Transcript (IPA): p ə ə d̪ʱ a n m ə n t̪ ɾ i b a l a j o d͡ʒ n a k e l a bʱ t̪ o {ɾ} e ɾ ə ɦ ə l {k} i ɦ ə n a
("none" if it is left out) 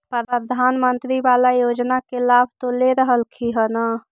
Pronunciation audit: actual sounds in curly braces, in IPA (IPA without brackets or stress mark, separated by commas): l, kʰ